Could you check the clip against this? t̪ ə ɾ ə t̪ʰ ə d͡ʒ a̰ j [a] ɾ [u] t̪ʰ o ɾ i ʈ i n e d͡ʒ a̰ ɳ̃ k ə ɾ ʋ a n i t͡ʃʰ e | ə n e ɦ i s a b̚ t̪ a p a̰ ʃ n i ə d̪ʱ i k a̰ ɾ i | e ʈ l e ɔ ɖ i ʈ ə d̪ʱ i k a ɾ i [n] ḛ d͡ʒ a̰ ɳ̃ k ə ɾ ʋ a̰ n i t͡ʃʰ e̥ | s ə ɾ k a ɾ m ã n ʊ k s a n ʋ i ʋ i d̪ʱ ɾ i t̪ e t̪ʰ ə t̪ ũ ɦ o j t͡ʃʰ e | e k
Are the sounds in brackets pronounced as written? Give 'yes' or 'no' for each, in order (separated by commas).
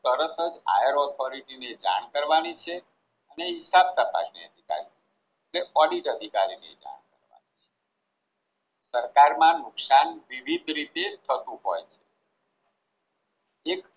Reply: no, no, yes